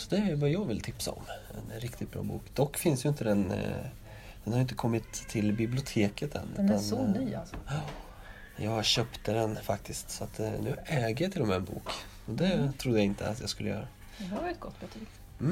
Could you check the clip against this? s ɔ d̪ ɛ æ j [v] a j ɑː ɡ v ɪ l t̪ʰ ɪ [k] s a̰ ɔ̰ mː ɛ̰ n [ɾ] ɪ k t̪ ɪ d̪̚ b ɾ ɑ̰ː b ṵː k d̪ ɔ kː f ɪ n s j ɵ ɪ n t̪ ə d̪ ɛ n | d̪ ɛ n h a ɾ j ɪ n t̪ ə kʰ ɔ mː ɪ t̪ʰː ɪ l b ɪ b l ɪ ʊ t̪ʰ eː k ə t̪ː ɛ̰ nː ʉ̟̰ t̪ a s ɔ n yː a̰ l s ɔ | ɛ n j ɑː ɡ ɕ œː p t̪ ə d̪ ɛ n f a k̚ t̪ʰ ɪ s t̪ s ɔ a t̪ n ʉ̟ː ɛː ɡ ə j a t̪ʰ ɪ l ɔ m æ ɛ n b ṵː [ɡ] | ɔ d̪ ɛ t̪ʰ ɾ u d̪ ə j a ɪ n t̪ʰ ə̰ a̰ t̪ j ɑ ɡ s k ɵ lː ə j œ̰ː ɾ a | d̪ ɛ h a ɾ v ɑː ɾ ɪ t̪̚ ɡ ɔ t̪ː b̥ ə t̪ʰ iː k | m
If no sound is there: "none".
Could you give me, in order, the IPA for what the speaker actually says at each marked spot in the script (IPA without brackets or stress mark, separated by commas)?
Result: v, p, ɾ, k